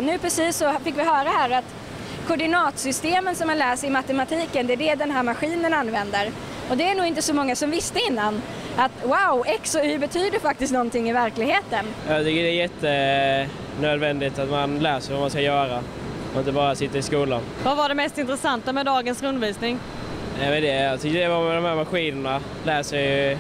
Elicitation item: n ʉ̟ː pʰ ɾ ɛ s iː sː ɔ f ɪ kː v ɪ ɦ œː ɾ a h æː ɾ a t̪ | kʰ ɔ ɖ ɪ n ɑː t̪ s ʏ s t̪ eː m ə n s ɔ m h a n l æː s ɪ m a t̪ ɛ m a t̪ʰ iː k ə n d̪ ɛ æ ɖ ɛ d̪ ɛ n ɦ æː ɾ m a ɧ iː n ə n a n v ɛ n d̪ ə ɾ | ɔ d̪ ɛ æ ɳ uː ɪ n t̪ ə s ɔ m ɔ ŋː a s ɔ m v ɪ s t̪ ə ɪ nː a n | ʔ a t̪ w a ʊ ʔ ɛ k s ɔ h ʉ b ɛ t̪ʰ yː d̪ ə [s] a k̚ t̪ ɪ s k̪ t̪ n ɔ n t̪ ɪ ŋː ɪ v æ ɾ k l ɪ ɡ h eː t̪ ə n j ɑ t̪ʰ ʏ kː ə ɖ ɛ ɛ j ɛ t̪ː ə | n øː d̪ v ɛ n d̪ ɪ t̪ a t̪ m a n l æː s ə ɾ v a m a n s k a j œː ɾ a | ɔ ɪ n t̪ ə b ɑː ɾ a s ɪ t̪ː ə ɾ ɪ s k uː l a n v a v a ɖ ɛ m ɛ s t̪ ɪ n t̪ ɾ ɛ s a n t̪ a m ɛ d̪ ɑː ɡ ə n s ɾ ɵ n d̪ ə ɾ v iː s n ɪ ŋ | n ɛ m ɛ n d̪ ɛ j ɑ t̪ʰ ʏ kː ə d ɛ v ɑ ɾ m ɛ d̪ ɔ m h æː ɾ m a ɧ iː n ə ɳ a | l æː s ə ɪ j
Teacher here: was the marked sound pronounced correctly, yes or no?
no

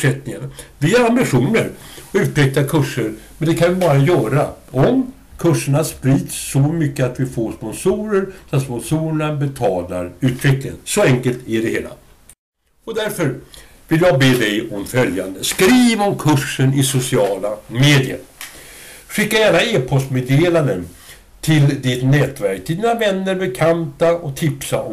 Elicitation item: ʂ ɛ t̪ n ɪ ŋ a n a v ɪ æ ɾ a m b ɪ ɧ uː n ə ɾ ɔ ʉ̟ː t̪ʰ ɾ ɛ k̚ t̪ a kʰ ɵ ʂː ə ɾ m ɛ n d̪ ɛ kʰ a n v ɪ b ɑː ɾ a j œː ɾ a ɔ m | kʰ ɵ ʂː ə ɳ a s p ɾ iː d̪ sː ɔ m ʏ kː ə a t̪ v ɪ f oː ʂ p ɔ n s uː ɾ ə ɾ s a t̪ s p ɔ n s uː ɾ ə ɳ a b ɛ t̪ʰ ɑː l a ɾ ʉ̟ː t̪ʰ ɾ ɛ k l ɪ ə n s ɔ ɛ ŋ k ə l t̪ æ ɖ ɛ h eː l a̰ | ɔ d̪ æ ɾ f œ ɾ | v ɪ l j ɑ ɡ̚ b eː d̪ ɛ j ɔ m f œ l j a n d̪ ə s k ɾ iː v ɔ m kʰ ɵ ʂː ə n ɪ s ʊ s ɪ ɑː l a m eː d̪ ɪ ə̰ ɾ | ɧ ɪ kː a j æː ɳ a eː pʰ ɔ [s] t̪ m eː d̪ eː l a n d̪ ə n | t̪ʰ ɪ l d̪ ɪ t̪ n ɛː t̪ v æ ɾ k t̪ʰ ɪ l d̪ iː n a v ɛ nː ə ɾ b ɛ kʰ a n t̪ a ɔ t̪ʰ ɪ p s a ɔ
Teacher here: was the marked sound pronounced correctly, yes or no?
yes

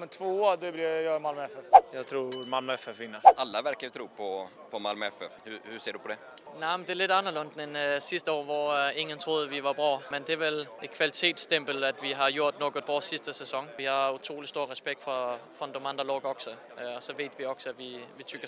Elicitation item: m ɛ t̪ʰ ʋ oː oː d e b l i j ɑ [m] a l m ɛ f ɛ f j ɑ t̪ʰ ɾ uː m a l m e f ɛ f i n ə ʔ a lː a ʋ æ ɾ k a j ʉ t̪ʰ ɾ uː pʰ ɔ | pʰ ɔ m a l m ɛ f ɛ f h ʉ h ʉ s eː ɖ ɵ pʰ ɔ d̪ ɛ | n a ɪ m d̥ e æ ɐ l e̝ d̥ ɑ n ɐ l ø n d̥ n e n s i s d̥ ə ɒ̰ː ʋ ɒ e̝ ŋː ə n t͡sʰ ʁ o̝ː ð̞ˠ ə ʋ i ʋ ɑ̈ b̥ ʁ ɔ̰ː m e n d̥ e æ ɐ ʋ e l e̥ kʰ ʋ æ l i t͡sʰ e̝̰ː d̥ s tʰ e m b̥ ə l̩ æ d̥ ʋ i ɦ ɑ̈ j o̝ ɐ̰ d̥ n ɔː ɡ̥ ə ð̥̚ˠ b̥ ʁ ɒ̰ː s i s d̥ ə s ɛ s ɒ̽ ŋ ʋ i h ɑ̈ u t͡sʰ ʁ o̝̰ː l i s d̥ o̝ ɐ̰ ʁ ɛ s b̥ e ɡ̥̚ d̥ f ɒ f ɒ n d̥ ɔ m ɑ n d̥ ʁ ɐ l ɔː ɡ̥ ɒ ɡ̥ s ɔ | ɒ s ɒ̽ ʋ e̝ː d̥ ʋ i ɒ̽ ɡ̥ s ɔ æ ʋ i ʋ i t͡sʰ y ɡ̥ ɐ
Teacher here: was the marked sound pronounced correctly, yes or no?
yes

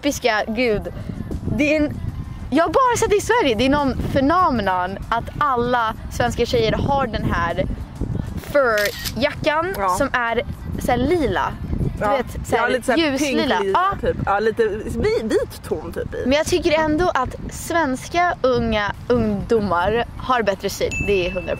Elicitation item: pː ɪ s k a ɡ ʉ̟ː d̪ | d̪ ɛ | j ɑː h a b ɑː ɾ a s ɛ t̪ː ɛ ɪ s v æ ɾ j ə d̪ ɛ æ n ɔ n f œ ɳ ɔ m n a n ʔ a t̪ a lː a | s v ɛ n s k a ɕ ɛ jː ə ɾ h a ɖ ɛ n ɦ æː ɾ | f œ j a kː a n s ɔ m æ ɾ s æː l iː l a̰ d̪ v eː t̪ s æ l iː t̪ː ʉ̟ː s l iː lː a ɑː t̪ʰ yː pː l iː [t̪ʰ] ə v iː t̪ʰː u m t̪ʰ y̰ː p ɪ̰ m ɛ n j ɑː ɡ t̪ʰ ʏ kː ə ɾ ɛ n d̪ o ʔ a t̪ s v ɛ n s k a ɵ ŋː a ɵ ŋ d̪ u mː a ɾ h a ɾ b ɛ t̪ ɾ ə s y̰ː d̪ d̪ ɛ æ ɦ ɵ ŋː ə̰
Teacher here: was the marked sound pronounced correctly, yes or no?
no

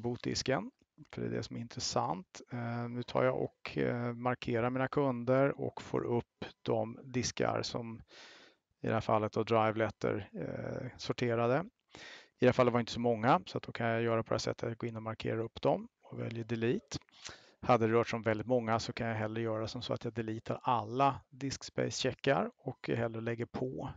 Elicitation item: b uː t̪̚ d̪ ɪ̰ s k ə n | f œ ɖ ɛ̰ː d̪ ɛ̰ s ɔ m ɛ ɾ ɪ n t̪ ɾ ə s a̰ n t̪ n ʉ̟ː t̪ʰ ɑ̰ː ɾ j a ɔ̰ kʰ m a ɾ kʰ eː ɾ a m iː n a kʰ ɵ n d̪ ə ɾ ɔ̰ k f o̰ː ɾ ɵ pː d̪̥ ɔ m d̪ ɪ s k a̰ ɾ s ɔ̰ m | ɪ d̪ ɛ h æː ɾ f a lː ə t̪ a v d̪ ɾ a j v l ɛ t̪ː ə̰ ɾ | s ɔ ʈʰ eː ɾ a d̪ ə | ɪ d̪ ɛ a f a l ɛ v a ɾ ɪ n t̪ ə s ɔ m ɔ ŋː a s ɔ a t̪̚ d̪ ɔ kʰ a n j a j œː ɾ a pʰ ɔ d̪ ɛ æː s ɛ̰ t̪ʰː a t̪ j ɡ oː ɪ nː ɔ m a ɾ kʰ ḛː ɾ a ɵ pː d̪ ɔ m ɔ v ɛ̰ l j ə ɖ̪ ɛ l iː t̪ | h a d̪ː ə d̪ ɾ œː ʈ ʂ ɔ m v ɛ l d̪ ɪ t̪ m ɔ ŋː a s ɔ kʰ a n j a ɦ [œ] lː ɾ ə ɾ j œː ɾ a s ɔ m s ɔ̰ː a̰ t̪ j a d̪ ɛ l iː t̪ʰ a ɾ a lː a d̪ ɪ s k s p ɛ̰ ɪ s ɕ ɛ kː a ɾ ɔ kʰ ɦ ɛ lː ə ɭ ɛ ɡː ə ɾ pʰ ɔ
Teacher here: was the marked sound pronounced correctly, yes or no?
no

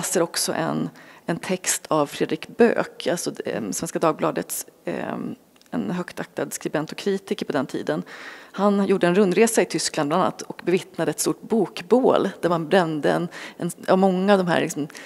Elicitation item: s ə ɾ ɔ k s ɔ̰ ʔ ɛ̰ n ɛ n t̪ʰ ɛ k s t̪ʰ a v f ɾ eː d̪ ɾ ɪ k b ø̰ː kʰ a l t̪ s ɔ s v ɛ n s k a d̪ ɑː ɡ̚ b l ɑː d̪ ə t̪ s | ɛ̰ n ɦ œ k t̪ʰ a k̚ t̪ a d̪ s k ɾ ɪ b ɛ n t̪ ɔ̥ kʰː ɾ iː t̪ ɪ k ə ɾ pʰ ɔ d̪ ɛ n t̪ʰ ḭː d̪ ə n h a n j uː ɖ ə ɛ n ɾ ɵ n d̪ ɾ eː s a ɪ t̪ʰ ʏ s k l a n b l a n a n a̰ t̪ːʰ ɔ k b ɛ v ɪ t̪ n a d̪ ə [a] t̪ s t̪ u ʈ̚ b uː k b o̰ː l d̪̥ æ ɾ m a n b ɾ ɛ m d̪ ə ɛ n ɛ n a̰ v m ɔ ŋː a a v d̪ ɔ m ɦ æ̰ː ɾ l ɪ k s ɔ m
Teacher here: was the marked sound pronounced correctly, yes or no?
no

